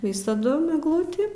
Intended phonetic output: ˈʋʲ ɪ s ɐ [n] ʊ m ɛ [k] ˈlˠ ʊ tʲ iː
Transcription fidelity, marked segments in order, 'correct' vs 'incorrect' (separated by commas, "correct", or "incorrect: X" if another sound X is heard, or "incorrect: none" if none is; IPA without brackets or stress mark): incorrect: d, incorrect: ɡ